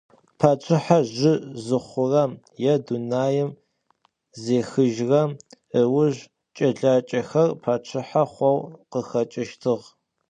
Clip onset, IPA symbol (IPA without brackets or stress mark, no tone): pʰ